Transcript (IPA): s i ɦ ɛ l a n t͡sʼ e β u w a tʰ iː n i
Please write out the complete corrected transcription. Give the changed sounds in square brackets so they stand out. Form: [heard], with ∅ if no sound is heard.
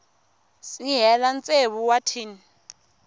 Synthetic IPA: s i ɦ ɛ l a n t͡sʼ e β u w a tʰ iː n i